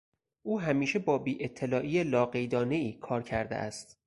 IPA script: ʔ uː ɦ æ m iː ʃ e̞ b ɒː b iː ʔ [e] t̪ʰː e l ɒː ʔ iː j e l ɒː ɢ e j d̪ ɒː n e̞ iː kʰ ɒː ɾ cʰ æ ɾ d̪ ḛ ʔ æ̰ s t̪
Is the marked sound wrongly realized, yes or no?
no